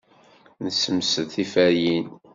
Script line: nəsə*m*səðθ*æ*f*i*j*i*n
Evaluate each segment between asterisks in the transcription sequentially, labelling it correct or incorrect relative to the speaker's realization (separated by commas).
correct, incorrect, incorrect, correct